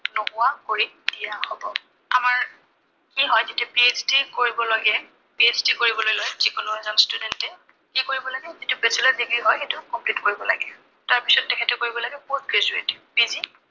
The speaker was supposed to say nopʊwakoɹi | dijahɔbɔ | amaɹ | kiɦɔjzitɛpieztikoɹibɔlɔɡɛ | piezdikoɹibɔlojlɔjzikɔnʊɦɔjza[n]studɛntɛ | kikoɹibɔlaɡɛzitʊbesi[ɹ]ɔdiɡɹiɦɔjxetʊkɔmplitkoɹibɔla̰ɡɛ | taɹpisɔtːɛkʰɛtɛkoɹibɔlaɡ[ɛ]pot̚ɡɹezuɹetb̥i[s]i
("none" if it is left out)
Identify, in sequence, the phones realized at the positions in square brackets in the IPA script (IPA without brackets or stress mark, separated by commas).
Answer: n, l, ɛ, z